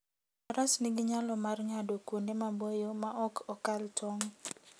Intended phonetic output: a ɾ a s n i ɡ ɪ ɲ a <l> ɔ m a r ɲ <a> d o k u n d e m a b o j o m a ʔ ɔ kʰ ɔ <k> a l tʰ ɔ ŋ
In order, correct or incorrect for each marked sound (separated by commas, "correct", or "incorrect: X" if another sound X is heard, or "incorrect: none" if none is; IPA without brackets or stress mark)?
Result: correct, correct, correct